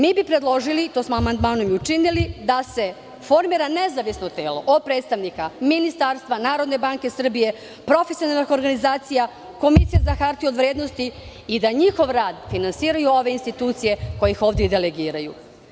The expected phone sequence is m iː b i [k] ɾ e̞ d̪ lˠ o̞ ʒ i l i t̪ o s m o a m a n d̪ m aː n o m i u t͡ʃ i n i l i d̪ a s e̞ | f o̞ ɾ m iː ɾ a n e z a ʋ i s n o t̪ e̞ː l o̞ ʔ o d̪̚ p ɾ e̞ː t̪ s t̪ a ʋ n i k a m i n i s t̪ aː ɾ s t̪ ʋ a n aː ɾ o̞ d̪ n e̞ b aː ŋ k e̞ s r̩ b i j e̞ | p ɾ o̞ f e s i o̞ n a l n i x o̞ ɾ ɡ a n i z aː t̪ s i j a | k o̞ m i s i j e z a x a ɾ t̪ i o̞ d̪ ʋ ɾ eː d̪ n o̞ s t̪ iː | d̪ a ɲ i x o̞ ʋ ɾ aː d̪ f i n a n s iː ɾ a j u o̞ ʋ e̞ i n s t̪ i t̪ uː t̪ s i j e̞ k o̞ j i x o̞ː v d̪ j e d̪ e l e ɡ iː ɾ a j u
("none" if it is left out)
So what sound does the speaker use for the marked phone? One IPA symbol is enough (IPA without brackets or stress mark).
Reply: p